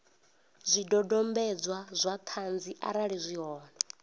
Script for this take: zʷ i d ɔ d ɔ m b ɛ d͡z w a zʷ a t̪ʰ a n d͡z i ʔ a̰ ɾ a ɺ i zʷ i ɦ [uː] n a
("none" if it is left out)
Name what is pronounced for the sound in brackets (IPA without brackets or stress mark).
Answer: ɔː